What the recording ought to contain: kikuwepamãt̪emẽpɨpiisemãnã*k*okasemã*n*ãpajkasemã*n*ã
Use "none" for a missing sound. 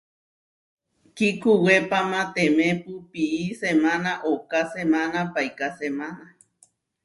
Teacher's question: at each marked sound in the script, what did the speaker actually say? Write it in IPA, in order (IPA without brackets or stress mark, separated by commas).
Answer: ʔ, n, n